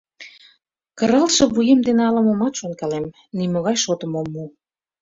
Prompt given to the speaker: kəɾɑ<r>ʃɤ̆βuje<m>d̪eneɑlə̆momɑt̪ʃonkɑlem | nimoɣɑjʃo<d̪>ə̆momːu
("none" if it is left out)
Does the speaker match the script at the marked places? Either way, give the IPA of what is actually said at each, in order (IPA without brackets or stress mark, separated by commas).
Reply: l, m, t̪